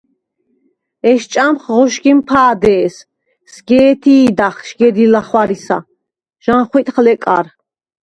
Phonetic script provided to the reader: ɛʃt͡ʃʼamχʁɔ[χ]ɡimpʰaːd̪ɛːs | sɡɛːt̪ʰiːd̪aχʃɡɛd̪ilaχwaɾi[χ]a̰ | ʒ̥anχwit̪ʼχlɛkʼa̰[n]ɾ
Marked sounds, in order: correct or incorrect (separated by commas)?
incorrect, incorrect, incorrect